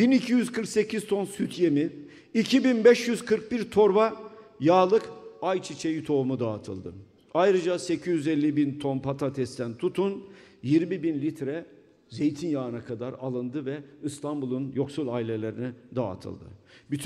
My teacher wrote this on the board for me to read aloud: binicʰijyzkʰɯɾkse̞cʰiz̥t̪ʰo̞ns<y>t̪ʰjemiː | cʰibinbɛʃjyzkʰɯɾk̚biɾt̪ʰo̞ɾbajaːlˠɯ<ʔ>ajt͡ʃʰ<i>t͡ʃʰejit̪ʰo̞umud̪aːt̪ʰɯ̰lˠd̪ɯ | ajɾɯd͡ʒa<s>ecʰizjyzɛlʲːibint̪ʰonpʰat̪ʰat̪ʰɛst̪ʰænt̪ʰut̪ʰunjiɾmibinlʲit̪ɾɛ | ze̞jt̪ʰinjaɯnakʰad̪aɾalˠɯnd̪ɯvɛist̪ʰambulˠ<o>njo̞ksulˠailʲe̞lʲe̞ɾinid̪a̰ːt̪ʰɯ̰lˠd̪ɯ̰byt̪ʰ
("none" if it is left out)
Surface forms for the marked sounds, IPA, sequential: y, k, i, s, u

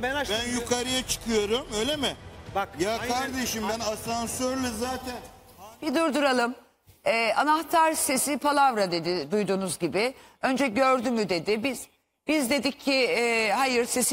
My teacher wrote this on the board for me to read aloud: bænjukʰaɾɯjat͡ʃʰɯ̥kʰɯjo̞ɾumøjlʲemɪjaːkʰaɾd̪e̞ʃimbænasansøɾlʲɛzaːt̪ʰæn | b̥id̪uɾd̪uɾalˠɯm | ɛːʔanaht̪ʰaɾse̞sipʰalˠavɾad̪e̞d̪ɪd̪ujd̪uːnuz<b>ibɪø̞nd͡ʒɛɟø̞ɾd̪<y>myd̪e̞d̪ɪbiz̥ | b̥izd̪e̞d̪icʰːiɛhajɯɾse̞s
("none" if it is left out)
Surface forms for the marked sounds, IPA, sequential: ɟ, y

